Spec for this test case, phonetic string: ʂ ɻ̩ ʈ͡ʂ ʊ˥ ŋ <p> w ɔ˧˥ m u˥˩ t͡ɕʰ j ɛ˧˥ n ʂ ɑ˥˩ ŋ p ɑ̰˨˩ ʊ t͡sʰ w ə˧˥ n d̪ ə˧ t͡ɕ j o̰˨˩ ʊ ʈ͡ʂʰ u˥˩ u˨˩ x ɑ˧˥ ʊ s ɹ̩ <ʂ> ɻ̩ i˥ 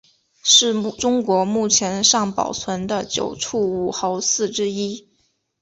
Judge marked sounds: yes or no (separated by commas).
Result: no, no